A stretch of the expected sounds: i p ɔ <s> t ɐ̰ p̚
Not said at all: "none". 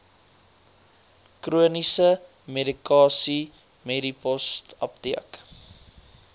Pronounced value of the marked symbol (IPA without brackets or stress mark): s